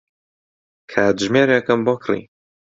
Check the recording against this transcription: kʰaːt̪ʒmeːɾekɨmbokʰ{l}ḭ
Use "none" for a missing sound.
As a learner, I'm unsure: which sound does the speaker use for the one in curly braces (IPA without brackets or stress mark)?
r